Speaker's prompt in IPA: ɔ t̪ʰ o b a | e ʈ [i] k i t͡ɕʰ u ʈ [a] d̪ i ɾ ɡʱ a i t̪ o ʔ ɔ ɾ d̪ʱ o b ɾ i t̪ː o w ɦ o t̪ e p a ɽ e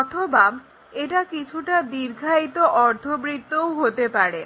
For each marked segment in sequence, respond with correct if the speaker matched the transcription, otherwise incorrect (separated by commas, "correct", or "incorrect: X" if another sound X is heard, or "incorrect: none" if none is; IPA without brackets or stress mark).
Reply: incorrect: a, correct